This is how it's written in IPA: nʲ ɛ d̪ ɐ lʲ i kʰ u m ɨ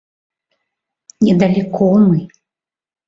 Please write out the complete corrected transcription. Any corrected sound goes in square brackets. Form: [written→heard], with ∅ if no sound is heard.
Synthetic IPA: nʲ ɛ d̪ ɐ lʲ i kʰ [u→ɔ] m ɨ